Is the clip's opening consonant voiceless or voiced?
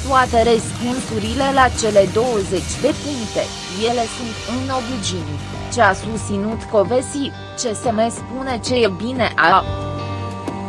voiceless